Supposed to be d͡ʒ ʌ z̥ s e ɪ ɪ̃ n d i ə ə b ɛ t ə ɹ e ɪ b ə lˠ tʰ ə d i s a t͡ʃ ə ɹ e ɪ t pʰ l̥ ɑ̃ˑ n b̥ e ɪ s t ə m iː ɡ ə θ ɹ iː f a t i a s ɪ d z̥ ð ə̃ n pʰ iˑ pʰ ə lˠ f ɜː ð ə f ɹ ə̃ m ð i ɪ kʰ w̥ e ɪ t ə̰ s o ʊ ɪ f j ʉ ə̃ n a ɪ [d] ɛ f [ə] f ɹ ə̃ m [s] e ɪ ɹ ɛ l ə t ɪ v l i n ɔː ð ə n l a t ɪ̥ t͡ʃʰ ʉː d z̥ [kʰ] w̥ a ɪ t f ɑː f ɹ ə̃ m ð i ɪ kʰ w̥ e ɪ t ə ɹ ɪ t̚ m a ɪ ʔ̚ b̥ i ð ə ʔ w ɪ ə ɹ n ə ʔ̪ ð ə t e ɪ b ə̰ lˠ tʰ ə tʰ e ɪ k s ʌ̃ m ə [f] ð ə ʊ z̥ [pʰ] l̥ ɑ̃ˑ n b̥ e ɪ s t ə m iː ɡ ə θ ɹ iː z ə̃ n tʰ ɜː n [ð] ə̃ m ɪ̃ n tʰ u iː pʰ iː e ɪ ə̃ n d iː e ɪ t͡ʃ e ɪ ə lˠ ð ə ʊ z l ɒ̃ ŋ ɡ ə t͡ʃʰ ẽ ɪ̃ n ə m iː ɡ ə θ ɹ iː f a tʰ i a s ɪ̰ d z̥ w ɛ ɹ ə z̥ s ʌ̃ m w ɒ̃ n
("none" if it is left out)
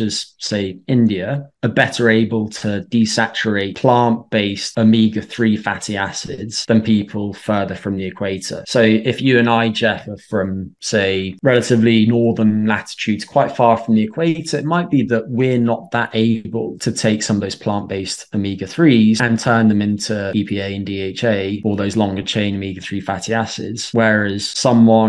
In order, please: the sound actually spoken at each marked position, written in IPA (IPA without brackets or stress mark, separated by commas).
d͡ʒ, ə, s, kʰ, v, pʰ, ð